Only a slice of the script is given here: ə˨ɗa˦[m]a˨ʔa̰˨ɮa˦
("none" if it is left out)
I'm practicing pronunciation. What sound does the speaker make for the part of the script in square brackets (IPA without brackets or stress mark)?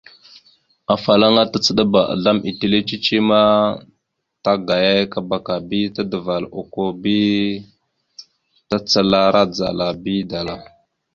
b